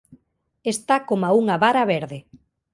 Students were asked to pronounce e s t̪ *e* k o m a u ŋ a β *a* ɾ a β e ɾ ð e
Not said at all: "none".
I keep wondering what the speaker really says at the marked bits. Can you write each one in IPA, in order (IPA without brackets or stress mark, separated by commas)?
a, a